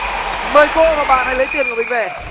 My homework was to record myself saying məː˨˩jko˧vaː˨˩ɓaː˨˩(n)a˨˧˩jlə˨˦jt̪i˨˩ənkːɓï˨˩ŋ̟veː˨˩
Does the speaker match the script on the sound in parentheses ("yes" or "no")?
yes